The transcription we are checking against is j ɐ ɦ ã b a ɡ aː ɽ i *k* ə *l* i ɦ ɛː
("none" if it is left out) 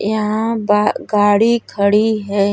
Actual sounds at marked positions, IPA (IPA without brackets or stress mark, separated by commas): kʰ, ɽ